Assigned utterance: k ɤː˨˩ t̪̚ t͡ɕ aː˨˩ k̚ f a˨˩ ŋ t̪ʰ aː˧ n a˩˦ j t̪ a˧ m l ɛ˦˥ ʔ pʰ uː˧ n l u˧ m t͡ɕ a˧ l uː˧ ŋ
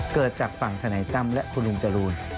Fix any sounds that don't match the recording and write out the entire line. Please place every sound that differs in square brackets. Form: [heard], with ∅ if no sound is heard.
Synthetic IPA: k ɤː˨˩ t̪̚ t͡ɕ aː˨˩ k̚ f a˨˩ ŋ t̪ʰ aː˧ n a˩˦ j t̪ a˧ m l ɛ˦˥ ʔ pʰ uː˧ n l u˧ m t͡ɕ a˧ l uː˧ [n]